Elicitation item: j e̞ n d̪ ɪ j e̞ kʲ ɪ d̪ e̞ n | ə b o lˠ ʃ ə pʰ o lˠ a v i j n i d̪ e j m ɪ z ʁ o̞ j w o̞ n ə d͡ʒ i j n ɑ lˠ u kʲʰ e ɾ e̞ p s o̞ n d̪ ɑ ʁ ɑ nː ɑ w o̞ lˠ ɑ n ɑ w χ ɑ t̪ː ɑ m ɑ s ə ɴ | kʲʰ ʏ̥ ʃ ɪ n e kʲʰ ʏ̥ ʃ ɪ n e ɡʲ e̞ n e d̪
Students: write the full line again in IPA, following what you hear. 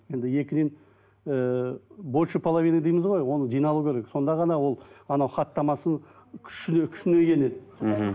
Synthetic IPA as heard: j e̞ n d̪ ɪ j e̞ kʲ ɪ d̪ e̞ n | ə b o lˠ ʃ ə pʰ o lˠ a v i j n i d̪ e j m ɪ z ʁ o̞ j w o̞ n ə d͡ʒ i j n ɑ lˠ u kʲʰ e ɾ e̞ k s o̞ n d̪ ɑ ʁ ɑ n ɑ w o̞ lˠ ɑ n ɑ w χ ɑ t̪ː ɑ m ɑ s ə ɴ | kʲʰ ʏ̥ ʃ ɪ n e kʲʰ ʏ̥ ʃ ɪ n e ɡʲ e̞ n e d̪